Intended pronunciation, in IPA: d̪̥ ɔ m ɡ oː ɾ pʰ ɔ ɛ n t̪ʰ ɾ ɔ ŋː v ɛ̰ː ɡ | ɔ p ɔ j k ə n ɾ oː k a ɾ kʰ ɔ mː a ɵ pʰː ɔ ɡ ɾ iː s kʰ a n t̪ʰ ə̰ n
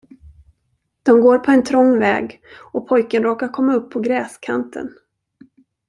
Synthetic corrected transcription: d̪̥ ɔ m ɡ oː ɾ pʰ ɔ ɛ n t̪ʰ ɾ ɔ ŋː v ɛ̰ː ɡ | ɔ pʰ ɔ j k ə n ɾ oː k a ɾ kʰ ɔ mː a ɵ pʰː ɔ ɡ ɾ ɛː s kʰ a n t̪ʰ ə̰ n